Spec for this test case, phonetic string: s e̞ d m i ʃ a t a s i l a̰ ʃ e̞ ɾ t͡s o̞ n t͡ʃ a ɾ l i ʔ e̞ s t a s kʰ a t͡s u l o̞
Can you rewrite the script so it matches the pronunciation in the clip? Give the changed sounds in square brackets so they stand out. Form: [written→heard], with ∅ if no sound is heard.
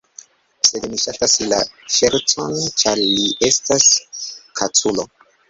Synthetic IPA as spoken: s e̞ d m i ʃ a t a s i l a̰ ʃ e̞ ɾ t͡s o̞ n t͡ʃ a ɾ l i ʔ e̞ s t a s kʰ a t͡s u l o̞